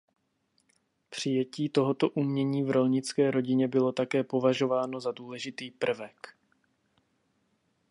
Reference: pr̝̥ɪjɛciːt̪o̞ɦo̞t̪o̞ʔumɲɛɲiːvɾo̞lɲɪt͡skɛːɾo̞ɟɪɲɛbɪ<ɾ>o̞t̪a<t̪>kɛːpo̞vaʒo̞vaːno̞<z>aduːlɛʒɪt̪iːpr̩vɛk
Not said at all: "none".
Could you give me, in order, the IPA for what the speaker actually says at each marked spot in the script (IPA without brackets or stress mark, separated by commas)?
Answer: l, none, z